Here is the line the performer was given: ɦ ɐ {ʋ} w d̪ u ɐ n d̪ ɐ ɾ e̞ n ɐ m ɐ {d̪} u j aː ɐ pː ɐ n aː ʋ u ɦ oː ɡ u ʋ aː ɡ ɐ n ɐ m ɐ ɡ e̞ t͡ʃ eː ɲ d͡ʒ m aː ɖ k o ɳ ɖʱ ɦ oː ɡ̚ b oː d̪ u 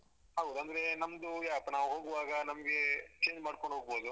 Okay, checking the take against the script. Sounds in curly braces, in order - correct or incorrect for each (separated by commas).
incorrect, correct